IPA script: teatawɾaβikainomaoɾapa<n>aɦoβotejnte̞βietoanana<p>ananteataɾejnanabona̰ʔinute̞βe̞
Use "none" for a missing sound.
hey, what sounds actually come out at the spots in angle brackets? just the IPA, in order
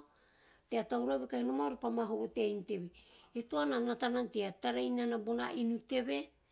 m, t

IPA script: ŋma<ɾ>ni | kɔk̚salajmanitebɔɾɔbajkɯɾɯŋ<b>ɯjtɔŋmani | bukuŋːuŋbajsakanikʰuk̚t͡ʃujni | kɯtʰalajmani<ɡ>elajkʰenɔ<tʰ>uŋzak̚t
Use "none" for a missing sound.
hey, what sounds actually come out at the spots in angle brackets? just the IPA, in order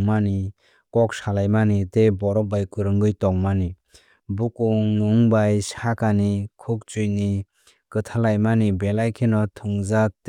none, ɡ, b, tʰ

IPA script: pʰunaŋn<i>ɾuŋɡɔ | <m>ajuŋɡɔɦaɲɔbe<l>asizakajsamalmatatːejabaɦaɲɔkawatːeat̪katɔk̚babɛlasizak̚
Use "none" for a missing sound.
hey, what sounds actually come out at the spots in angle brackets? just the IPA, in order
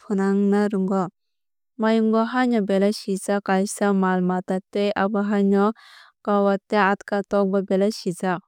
a, m, l

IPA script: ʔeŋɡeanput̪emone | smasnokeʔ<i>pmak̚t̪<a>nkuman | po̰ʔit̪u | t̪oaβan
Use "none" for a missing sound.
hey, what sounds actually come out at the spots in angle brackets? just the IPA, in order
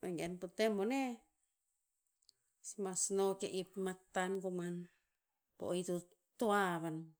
i, a

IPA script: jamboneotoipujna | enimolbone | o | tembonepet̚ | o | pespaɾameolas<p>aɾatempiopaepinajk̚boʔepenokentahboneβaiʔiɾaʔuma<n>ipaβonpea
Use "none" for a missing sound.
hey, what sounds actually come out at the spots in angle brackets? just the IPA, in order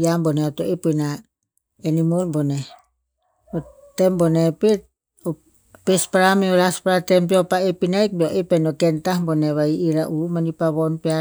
p, n

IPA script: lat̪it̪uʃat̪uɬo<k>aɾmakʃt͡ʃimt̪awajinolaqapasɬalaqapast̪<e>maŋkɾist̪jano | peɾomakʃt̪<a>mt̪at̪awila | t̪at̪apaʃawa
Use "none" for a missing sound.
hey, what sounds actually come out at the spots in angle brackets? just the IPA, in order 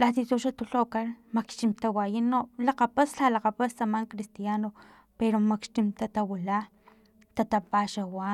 k, a, i

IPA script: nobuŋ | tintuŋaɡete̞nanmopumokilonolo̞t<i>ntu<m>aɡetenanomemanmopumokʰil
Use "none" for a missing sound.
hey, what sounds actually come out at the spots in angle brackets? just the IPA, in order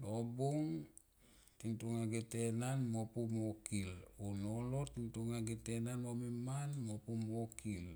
i, ŋ

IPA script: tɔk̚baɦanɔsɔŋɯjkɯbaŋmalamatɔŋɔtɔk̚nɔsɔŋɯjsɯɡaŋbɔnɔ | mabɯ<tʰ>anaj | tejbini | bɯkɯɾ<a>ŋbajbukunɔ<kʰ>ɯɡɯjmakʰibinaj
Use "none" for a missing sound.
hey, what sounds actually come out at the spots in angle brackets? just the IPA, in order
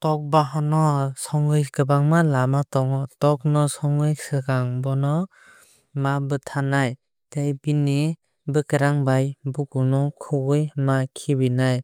tʰ, a, kʰ

